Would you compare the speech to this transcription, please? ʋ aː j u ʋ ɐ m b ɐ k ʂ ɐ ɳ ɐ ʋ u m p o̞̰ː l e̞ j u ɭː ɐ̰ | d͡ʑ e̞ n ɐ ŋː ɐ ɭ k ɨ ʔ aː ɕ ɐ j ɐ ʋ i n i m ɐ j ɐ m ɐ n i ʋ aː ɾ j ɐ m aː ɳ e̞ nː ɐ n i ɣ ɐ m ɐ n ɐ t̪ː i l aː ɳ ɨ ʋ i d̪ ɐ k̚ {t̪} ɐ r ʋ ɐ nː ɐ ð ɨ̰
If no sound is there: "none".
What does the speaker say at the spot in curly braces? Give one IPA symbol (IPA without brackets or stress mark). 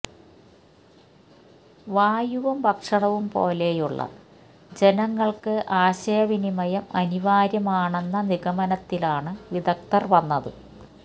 t̪